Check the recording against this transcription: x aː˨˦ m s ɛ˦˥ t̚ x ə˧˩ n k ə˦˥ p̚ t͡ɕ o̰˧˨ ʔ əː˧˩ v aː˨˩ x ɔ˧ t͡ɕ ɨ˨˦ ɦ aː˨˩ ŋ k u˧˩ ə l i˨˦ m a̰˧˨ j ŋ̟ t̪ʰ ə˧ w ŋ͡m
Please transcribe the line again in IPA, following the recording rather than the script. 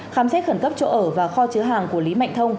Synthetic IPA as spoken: x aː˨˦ m s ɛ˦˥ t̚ x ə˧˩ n k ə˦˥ p̚ t͡ɕ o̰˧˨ ʔ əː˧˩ v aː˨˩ x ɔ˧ t͡ɕ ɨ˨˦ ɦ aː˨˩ ŋ k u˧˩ ə l i˨˦ m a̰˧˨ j ŋ̟ t̪ʰ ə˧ w ŋ͡m